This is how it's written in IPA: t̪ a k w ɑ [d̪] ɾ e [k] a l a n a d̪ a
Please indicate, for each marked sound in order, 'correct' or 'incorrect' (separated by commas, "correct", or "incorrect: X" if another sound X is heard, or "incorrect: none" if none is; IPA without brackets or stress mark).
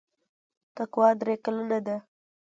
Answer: correct, correct